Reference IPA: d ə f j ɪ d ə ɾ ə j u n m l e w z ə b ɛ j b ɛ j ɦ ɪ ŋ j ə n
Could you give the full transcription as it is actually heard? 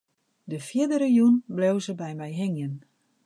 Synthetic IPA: d ə f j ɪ d ə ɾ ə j u n b l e w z ə b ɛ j m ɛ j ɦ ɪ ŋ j ə n